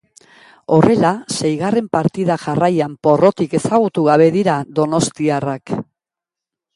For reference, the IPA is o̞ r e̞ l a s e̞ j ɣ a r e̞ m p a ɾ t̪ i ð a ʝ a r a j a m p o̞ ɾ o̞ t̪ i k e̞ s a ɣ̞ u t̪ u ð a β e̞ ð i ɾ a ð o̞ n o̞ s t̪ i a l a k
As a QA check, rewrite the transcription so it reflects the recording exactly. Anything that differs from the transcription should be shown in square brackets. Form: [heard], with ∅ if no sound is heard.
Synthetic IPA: o̞ r e̞ l a s e̞ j ɣ a r e̞ m p a ɾ t̪ i ð a ʝ a r a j a m p o̞ [r] o̞ t̪ i k e̞ s a ɣ̞ u t̪ u [ɣ] a β e̞ ð i ɾ a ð o̞ n o̞ s t̪ i a [r] a k